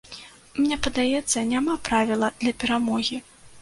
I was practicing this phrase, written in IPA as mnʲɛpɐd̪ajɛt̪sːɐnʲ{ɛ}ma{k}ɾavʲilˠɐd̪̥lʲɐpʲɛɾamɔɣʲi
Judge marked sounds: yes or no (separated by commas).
no, no